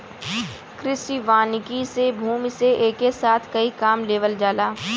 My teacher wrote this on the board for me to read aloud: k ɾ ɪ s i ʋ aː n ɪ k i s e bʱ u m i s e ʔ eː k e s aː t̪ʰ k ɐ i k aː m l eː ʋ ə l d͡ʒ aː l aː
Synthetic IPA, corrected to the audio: k ɾ ɪ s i ʋ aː n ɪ k i s e bʱ uː m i s e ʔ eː k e s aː t̪ʰ k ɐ i k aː m l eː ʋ ə l d͡ʒ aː l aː